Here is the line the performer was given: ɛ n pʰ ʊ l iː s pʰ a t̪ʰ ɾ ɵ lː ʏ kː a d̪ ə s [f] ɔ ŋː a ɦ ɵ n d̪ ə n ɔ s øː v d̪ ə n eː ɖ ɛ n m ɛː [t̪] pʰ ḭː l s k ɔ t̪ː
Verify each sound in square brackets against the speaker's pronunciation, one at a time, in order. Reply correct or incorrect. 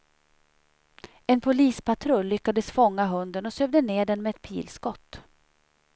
correct, correct

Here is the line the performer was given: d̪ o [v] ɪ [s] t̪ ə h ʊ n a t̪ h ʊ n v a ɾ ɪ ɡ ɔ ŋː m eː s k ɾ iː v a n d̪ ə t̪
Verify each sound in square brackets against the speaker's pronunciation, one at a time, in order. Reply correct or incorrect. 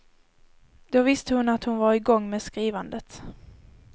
correct, correct

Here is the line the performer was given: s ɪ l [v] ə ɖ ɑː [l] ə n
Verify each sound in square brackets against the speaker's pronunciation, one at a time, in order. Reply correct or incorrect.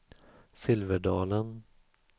correct, correct

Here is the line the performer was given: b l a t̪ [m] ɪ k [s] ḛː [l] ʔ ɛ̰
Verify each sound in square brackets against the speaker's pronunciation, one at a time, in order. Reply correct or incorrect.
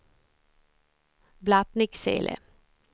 incorrect: n, correct, correct

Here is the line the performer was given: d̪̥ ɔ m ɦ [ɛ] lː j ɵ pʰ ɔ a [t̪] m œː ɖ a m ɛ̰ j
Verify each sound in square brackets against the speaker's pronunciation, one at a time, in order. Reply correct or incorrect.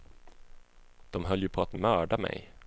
incorrect: œ, correct

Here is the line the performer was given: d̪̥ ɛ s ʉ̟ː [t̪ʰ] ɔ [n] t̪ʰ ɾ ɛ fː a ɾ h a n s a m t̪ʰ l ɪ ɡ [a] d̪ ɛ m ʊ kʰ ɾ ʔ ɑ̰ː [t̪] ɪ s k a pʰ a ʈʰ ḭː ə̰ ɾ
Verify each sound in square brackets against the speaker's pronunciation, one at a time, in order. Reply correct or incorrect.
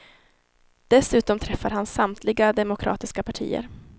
incorrect: t̪, incorrect: m, correct, correct

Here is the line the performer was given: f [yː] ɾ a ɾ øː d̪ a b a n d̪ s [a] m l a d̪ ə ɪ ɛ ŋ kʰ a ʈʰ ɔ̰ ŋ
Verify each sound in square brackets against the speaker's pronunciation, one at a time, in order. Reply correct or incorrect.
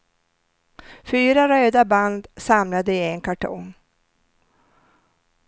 correct, correct

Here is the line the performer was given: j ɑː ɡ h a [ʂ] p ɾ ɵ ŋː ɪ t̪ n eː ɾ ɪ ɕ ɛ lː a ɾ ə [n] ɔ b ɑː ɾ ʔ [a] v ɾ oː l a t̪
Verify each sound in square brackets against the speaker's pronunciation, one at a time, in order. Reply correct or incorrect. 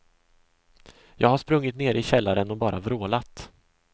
correct, correct, correct

